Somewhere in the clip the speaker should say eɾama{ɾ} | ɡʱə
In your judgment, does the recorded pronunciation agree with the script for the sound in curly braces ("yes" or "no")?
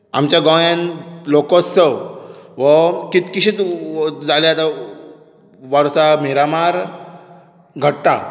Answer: yes